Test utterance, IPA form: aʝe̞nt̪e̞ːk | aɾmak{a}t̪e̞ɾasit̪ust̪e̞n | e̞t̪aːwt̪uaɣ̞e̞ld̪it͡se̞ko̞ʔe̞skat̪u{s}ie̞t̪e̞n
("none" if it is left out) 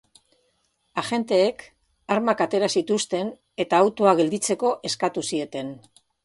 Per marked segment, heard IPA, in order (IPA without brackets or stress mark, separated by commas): a, s